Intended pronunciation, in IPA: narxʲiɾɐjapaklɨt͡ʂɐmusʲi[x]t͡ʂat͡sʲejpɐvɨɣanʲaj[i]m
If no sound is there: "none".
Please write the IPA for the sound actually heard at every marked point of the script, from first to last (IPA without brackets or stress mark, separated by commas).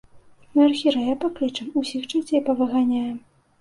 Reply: x, ɛ